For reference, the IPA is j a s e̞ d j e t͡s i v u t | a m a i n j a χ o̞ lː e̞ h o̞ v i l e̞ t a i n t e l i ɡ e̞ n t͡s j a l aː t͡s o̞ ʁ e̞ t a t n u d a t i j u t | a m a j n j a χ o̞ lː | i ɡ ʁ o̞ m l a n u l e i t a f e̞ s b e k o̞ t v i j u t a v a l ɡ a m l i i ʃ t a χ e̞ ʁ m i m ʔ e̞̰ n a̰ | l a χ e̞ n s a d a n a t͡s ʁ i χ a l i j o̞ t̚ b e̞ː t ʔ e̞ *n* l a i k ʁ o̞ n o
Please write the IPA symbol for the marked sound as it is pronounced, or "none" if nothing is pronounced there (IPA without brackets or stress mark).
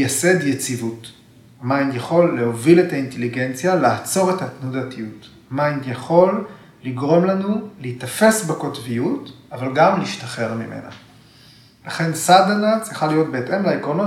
m